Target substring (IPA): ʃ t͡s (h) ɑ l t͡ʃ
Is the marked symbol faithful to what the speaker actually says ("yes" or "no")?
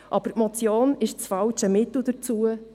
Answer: no